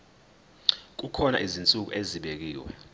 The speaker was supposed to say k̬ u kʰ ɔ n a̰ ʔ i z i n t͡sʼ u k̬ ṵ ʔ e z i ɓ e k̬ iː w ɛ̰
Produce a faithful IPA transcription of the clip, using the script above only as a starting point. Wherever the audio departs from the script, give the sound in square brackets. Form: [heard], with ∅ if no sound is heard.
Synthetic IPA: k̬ u kʰ ɔ n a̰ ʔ i z i n t͡sʼ u k̬ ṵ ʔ e z i ɓ e k̬ iː w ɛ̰